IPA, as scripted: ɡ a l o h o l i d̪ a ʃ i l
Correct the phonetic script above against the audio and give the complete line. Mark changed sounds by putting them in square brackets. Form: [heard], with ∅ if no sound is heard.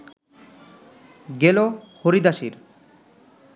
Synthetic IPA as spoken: ɡ [e] l o h o [ɾ] i d̪ a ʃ i [ɾ]